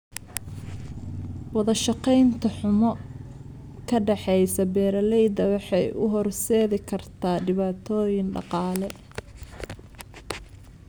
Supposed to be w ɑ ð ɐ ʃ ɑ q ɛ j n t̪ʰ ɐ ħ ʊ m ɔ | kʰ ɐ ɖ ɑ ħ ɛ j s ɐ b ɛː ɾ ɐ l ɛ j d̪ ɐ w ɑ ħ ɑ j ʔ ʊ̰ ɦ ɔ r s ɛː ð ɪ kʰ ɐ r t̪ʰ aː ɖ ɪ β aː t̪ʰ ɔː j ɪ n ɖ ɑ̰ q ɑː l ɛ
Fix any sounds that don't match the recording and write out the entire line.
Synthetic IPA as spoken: w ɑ ð ɐ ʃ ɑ q ɛ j n t̪ʰ ɐ ħ ʊ m ɔ | kʰ ɐ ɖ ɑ ħ ɛ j s ɐ b ɛː ɾ ɐ l ɛ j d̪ ɐ w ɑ ħ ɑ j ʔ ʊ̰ ɦ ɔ r s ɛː ð ɪ kʰ ɐ r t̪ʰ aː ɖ ɪ β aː t̪ʰ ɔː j ɪ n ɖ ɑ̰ q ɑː l ɛ

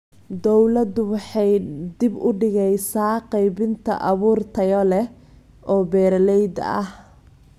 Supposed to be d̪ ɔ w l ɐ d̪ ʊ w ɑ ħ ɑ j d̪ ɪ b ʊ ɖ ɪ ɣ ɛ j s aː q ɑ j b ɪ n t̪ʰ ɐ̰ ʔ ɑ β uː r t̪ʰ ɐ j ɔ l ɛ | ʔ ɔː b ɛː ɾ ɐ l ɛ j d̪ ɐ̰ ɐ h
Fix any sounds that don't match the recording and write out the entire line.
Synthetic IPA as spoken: d̪ ɔ w l ɐ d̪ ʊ w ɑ ħ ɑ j d̪ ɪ b ʊ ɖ ɪ ɣ ɛ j s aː q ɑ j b ɪ n t̪ʰ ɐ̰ ʔ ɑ β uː r t̪ʰ ɐ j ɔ l ɛ | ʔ ɔː b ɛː ɾ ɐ l ɛ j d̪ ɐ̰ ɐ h

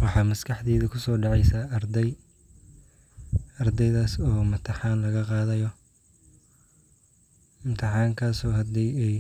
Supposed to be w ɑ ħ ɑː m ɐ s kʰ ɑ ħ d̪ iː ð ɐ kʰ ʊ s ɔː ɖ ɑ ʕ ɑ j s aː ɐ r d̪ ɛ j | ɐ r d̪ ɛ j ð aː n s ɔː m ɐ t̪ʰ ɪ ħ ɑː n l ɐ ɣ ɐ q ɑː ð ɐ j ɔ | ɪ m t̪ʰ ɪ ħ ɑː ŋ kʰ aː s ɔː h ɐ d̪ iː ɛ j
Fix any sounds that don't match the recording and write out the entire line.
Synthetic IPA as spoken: w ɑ ħ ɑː m ɐ s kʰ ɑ ħ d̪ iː ð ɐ kʰ ʊ s ɔː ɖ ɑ ʕ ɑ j s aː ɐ r d̪ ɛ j | ɐ r d̪ ɛ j ð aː s ɔː m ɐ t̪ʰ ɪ ħ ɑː n l ɐ ɣ ɐ q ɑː ð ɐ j ɔ | ɪ m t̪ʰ ɪ ħ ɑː ŋ kʰ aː s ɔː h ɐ d̪ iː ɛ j

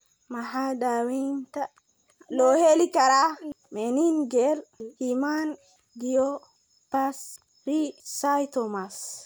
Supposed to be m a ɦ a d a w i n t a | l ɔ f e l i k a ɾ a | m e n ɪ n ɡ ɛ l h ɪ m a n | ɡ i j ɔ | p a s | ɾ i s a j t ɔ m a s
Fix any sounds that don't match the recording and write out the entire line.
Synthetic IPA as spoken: m a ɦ a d a w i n t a | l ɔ h e l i k a ɾ a | m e n i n ɡ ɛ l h i m a n | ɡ i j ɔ | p a s | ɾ i s a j t ɔ m a s

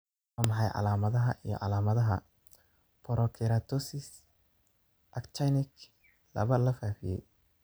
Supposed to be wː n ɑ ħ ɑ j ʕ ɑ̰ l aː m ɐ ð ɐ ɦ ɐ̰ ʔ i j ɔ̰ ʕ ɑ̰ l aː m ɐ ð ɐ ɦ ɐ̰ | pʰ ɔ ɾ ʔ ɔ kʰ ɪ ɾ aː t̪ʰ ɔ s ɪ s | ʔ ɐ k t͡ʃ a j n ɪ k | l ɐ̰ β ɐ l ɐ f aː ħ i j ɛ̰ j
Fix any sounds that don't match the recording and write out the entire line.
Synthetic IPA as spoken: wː m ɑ ħ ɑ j ʕ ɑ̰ l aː m ɐ ð ɐ ɦ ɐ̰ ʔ i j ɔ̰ ʕ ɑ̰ l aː m ɐ ð ɐ ɦ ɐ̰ | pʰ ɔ ɾ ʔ ɔ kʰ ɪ ɾ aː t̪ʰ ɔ s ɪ s | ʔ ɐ k t͡ʃ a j n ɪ k | l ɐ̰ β ɐ l ɐ f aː f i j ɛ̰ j

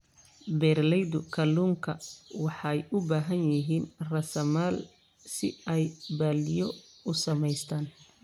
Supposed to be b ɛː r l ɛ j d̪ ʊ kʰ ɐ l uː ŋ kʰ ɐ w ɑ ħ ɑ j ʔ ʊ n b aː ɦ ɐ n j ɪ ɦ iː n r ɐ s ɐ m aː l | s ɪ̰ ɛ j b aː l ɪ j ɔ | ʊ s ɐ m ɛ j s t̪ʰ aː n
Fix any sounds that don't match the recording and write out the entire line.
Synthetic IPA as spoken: b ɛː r l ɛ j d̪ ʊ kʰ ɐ l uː ŋ kʰ ɐ w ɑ ħ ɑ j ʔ ʊ b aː ɦ ɐ n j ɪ ɦ iː n r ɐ s ɐ m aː l | s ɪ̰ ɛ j b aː l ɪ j ɔ | ʊ s ɐ m ɛ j s t̪ʰ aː n

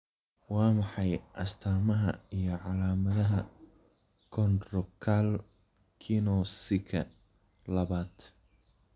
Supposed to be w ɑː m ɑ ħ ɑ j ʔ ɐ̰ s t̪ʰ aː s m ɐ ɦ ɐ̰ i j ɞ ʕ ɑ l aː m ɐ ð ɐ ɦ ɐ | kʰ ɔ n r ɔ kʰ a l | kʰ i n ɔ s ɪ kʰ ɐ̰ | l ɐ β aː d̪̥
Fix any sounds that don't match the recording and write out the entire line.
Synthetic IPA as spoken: w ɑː m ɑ ħ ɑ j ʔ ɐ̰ s t̪ʰ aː m ɐ ɦ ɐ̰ i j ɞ ʕ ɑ l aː m ɐ ð ɐ ɦ ɐ | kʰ ɔ n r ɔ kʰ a l | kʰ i n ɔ s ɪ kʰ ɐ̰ | l ɐ β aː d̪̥

